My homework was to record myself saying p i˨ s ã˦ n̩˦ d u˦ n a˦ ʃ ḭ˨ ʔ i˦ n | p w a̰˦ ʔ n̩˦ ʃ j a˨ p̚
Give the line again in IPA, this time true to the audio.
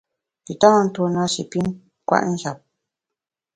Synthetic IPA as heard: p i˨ t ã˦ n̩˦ t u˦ n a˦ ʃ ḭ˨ p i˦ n | k w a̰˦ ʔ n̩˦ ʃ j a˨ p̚